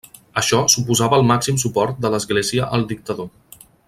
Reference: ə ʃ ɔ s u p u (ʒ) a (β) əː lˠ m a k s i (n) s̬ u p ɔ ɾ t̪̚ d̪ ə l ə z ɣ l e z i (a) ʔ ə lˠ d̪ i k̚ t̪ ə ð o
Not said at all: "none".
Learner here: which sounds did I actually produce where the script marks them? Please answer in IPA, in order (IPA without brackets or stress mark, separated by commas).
z, β, m, ə